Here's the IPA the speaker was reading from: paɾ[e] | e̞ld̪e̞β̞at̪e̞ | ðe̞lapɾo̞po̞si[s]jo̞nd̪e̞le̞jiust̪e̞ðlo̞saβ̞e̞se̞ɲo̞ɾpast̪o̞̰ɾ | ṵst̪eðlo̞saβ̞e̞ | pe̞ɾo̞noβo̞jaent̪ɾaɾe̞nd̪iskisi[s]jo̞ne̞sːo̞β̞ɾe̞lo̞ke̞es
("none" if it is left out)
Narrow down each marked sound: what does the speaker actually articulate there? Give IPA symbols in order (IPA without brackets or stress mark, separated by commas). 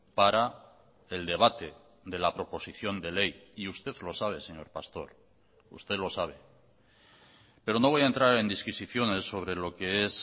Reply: a, θ, θ